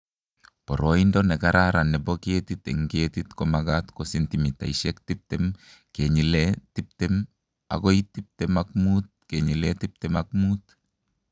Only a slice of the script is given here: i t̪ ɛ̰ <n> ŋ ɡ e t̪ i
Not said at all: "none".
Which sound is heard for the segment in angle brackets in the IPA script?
none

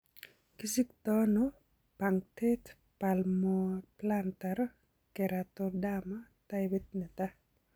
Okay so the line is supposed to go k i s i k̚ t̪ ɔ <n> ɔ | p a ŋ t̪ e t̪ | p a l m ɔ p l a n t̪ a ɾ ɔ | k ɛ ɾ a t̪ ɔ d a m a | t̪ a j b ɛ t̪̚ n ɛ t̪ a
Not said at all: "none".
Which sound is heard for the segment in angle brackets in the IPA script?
n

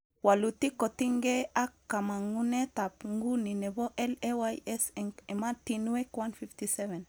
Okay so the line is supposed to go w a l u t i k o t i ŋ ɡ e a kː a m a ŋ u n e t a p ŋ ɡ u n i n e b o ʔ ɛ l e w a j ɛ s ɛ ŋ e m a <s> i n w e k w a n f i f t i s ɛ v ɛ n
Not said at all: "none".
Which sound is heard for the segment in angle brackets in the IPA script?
t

